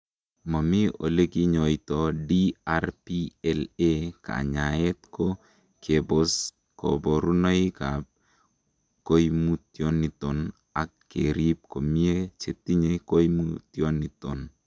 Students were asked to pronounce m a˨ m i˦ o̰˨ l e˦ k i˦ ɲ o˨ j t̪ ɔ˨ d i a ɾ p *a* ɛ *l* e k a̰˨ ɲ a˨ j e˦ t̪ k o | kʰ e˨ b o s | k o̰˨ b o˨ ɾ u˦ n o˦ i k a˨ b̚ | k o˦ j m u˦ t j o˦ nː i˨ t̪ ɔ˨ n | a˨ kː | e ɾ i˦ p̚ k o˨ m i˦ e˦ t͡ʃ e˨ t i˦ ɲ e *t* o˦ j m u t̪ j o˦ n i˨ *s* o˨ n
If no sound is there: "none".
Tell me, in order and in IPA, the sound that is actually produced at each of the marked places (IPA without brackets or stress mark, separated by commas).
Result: i, l, k, t